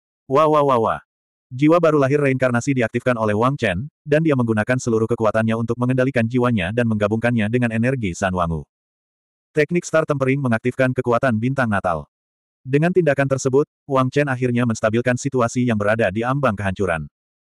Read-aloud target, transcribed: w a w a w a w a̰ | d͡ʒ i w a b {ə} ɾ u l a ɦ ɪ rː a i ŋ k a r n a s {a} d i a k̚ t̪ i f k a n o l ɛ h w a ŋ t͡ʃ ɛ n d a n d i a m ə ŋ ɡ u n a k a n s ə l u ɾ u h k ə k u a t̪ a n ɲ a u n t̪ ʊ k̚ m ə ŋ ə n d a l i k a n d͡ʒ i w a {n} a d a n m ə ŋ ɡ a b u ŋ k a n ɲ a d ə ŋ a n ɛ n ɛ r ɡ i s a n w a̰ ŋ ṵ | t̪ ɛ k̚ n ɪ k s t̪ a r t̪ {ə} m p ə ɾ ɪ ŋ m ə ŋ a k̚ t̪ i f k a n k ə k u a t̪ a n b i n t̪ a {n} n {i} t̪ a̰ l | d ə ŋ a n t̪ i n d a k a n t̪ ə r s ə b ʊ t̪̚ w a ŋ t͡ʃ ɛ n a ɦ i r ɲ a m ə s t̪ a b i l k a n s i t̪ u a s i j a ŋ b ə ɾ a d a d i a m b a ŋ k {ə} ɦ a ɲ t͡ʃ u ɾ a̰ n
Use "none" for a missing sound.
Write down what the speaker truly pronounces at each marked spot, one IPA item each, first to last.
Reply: a, i, ɲ, ə, ŋ, a, ə

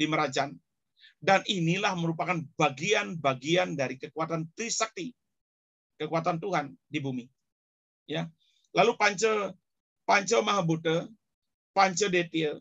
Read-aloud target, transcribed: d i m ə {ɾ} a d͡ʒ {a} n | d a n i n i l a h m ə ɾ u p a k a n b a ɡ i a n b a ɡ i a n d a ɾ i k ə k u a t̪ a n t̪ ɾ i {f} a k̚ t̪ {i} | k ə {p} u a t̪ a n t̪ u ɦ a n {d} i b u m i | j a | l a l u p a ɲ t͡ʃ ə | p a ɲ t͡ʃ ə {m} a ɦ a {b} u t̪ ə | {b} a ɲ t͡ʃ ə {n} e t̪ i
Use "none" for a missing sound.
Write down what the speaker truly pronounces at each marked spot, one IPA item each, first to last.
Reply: ɾ, a, s, i, k, d, m, b, p, d

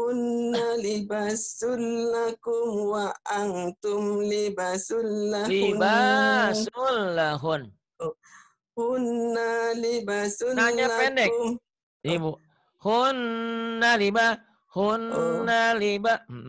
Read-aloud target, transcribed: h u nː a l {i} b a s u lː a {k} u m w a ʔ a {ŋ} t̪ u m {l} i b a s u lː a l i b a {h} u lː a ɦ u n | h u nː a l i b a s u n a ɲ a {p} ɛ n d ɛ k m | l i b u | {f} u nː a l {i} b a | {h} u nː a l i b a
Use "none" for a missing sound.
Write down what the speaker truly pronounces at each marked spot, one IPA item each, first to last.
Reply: i, k, ŋ, l, s, p, h, i, h

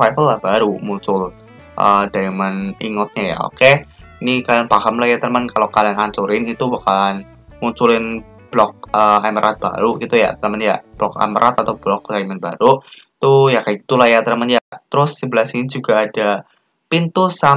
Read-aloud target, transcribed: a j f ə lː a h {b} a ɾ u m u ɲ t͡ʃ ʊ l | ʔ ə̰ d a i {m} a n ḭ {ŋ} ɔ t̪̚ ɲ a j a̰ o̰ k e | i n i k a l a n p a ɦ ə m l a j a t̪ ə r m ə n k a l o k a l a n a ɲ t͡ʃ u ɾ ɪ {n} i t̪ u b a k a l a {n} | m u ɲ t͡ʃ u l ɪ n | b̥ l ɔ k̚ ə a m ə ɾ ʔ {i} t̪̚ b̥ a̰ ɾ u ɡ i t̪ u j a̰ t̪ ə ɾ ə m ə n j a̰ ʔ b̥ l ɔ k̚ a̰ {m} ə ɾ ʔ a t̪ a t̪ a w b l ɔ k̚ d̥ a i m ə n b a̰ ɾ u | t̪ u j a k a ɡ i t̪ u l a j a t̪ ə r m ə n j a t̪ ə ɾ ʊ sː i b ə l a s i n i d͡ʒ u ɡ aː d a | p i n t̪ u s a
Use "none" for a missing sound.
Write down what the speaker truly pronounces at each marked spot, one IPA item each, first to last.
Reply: b, m, ŋ, n, n, a, m

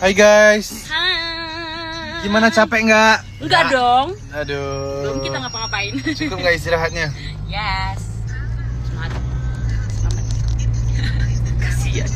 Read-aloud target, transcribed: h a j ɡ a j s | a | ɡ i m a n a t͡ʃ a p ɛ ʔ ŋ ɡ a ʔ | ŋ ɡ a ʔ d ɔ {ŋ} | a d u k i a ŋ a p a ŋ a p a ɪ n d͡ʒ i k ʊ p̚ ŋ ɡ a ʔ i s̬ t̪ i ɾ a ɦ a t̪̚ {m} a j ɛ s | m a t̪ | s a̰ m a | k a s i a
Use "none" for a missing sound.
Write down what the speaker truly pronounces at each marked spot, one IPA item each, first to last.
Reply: ŋ, ɲ

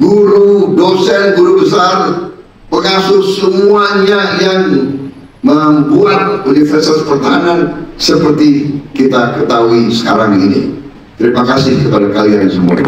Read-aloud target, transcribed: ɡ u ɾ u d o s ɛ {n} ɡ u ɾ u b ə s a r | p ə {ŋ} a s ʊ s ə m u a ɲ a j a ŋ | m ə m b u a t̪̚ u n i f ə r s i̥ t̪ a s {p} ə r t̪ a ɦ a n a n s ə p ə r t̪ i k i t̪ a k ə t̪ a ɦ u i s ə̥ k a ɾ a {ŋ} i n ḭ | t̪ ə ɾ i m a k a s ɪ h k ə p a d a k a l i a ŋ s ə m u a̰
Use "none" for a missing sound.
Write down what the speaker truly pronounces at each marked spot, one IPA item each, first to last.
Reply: n, ŋ, p, ŋ

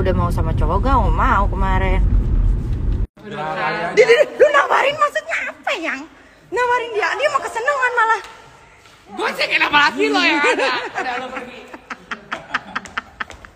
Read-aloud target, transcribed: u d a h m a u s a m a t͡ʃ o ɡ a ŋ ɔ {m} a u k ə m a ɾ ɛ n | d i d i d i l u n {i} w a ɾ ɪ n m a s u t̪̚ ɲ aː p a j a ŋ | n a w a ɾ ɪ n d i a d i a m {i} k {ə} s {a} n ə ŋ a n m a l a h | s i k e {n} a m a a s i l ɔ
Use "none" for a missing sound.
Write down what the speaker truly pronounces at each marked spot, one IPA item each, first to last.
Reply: m, a, a, ə, ə, n

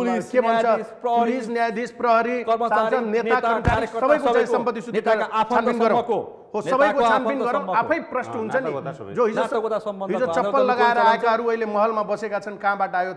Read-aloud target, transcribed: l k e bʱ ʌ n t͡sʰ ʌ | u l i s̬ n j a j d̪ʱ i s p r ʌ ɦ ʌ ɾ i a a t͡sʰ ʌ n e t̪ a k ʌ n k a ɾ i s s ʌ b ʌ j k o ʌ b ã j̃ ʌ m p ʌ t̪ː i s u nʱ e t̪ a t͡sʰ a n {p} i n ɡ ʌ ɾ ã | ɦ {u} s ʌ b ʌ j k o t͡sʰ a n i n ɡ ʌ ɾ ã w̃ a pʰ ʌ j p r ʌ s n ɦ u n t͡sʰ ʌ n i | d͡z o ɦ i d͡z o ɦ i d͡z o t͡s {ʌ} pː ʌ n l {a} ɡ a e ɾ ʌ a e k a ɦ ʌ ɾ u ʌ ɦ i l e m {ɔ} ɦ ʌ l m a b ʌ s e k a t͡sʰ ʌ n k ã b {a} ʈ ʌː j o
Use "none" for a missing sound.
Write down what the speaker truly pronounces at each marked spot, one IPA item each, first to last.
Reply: p, o, ʌ, ʌ, ʌ, a

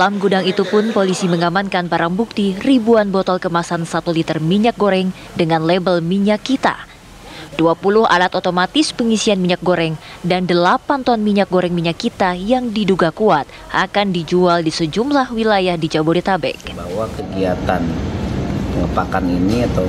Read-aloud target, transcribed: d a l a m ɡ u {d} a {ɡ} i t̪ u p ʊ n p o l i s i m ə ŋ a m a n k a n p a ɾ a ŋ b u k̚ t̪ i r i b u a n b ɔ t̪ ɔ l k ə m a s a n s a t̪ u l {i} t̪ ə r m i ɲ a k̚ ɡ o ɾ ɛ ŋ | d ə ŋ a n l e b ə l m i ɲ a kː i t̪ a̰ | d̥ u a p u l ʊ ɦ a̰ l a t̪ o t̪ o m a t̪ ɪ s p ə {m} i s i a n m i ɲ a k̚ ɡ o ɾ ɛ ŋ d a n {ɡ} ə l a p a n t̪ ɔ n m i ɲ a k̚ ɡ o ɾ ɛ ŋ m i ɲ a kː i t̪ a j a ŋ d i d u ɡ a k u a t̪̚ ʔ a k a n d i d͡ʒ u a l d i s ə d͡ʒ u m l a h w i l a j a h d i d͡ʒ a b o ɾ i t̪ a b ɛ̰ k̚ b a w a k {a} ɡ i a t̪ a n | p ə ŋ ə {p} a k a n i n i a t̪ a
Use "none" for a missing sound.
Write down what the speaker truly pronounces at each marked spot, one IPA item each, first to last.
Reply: d, ŋ, i, ŋ, d, ə, p

